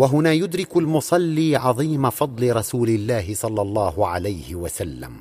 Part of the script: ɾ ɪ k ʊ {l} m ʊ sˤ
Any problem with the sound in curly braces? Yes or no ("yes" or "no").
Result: no